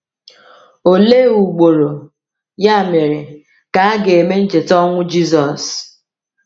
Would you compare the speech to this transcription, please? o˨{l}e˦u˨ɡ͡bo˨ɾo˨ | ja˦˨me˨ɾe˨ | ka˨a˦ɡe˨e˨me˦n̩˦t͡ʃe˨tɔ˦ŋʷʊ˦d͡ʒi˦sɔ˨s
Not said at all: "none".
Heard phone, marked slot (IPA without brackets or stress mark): l